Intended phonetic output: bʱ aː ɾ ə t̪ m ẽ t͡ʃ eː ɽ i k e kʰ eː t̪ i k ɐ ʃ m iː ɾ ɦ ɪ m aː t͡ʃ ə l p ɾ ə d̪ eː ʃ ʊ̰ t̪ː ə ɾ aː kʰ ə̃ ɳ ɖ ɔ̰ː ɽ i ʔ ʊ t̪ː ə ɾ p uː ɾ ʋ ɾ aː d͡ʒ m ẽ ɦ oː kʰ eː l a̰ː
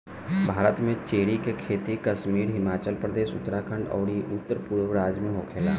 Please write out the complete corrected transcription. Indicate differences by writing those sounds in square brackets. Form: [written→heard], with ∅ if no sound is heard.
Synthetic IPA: bʱ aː ɾ ə t̪ m ẽ t͡ʃ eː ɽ i k e kʰ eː t̪ i k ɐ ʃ m iː ɾ ɦ ɪ m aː t͡ʃ ə l p ɾ ə d̪ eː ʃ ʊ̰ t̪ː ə ɾ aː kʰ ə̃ ɳ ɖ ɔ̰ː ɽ i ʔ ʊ t̪ː ə ɾ p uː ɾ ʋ ɾ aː d͡ʒ m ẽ ɦ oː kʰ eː l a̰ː